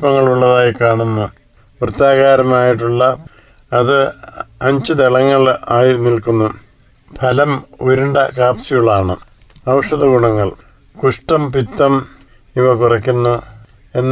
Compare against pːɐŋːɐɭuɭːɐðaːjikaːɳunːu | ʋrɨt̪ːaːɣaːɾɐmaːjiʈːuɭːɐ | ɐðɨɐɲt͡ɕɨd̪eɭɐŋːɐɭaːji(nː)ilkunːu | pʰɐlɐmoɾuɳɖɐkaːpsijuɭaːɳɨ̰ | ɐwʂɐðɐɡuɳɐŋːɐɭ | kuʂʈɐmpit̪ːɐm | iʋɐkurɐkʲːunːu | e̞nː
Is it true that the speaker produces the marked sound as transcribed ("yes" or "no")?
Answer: no